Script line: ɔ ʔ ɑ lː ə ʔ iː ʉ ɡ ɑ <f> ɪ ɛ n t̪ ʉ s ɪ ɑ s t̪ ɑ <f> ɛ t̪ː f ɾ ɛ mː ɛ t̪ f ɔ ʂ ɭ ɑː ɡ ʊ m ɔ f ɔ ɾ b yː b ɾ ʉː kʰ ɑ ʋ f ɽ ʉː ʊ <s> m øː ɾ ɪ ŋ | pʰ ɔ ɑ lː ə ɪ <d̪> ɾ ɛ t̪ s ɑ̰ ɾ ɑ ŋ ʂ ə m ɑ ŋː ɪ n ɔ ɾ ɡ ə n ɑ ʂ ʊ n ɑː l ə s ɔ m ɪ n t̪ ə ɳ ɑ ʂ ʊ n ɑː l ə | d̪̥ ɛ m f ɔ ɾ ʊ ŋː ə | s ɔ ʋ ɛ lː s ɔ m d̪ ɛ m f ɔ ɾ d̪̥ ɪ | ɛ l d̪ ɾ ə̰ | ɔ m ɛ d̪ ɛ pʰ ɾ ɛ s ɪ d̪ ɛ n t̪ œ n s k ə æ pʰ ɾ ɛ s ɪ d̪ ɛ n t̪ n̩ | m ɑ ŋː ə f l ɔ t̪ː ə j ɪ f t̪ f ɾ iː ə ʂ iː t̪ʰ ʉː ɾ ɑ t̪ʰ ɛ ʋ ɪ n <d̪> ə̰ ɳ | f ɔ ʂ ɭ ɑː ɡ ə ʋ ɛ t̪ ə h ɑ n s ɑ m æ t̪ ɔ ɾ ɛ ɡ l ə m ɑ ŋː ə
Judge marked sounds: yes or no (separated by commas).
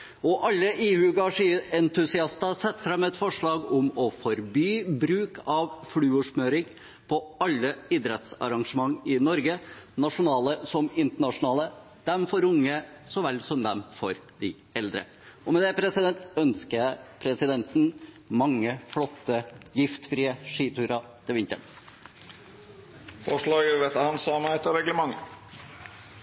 no, no, no, yes, no